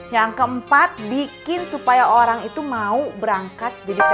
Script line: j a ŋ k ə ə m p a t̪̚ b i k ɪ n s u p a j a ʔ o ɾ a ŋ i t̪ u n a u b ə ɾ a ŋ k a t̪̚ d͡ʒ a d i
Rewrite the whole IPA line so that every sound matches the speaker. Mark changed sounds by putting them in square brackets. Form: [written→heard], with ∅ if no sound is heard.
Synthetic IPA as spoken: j a ŋ k ə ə m p a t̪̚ b i k ɪ n s u p a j a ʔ o ɾ a ŋ i t̪ u [n→m] a u b ə ɾ a ŋ k a t̪̚ d͡ʒ a d i